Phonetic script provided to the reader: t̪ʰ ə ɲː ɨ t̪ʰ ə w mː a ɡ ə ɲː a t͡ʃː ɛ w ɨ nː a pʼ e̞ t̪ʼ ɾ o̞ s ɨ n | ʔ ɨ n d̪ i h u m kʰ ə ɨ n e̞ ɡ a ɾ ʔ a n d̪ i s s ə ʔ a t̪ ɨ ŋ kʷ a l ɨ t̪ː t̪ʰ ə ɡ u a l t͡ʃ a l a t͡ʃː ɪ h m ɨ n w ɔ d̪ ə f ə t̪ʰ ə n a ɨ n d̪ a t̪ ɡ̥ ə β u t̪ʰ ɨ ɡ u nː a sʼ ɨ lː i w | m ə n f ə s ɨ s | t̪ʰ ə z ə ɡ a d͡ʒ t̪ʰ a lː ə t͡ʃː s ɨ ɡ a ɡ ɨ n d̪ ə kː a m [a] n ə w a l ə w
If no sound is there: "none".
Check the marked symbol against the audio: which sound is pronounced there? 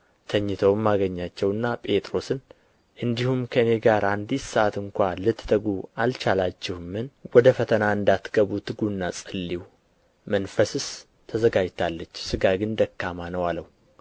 a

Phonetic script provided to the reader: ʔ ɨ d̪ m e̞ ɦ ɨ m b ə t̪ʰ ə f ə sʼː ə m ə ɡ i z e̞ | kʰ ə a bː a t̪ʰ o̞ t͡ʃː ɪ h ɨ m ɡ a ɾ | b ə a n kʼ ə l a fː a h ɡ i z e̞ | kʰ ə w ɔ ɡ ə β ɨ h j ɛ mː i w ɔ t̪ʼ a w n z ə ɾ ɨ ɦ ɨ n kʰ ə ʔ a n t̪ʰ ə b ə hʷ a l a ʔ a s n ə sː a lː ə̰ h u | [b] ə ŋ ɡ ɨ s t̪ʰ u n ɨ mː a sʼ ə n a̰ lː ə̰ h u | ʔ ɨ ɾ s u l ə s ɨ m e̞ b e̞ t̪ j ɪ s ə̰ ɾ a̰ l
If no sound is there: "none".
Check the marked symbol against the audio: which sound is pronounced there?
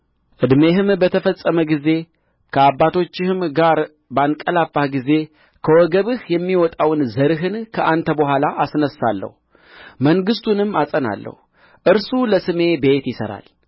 m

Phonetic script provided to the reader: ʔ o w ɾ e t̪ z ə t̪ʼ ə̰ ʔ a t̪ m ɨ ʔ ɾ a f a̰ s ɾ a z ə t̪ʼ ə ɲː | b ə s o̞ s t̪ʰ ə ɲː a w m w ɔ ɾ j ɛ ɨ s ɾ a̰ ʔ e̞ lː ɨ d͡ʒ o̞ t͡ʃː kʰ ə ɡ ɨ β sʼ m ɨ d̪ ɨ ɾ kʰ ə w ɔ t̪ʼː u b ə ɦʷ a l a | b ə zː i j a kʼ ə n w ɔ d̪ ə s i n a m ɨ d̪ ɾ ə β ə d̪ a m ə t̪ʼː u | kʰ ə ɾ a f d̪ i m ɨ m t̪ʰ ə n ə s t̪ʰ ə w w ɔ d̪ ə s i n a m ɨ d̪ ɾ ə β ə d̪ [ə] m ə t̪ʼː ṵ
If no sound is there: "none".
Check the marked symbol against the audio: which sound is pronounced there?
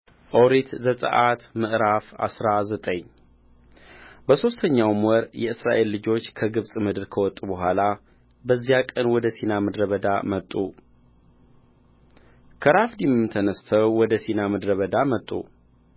a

